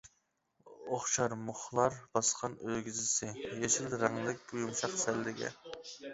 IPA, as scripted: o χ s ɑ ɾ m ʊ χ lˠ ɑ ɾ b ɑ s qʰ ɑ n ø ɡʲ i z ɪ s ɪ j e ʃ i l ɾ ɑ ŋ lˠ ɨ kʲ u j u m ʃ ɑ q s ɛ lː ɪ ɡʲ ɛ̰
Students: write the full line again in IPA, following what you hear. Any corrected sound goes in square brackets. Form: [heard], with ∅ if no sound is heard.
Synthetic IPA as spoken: o χ [ʃ] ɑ ɾ m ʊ χ lˠ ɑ ɾ b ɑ s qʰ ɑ n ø ɡʲ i z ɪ s ɪ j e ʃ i l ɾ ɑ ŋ lˠ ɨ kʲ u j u m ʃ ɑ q s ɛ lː ɪ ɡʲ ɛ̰